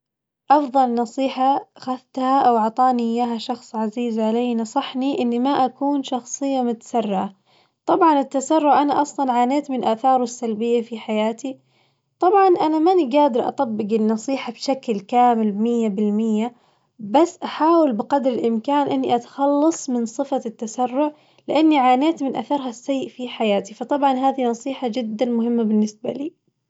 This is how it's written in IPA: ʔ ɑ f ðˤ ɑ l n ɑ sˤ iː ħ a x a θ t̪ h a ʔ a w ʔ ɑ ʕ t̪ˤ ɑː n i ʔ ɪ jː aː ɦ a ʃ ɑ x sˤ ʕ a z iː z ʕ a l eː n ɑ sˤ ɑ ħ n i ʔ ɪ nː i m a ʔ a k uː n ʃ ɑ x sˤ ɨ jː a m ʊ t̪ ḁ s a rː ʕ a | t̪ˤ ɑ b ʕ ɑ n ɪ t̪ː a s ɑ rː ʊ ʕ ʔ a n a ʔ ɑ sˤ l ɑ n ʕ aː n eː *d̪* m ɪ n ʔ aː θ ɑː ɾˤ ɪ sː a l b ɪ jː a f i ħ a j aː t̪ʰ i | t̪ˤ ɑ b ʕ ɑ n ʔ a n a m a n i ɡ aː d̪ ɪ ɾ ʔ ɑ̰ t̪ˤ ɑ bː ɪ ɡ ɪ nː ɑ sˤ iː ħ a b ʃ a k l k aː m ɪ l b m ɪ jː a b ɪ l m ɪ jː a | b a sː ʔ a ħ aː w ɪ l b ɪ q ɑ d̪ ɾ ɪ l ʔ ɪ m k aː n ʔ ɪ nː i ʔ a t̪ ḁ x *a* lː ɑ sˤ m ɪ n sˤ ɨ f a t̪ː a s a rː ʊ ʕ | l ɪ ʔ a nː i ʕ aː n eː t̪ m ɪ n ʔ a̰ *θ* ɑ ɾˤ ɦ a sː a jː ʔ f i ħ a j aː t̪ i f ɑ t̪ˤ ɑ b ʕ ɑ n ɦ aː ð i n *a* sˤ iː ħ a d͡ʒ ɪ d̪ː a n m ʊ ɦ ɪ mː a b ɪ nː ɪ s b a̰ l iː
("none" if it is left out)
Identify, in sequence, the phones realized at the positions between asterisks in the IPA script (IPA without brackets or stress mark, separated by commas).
t̪, ɑ, θ, ɑ